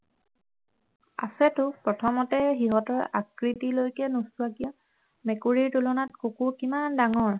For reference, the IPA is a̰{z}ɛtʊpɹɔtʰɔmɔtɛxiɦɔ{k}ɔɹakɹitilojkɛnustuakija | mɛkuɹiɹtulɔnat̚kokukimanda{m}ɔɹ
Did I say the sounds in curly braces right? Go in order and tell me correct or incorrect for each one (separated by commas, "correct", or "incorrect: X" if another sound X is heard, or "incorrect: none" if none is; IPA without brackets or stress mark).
incorrect: s, incorrect: t, incorrect: ŋ